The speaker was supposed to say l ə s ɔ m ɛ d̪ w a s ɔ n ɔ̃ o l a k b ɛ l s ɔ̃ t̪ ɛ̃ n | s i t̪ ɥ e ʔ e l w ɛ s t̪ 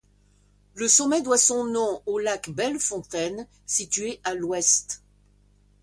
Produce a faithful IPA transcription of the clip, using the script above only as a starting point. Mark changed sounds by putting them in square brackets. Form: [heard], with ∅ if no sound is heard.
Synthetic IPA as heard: l ə s ɔ m ɛ d̪ w a s [ɔ̃] n ɔ̃ o l a k b ɛ l [f] ɔ̃ t̪ [ɛ] n | s i t̪ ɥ e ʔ [a] l w ɛ s t̪